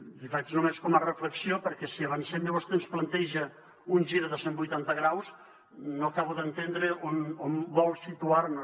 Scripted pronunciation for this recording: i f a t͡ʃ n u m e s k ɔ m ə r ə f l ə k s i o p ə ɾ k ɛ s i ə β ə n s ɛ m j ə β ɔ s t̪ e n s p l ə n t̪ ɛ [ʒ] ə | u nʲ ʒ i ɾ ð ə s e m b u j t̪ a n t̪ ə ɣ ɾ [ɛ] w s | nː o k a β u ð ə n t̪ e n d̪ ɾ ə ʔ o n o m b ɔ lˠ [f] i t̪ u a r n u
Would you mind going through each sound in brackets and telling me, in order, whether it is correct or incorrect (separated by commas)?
correct, incorrect, incorrect